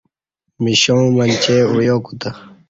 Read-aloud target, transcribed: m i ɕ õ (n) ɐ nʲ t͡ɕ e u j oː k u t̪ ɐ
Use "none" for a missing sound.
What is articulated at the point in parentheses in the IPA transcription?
m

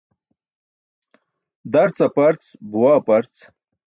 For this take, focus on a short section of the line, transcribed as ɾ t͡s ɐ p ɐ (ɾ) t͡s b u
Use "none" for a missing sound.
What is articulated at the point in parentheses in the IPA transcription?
ɾ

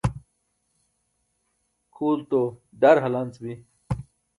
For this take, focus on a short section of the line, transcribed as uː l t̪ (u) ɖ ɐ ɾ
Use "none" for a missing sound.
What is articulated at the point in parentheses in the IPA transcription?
o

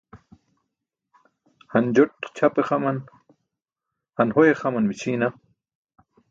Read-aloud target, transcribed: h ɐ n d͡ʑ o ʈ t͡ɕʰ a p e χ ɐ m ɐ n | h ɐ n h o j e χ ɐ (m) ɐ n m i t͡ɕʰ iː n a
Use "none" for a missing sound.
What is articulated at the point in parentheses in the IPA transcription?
m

